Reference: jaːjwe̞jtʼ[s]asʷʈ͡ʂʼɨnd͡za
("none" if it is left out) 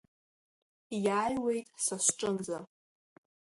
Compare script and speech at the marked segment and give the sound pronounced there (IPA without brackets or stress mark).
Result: s